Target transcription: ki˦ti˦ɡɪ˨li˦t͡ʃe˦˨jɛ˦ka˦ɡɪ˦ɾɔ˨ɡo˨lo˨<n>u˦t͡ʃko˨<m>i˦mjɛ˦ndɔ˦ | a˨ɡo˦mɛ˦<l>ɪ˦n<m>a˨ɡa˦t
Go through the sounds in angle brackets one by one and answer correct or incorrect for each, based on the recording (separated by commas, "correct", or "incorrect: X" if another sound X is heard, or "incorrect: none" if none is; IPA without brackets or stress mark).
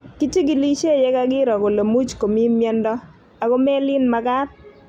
incorrect: m, correct, correct, correct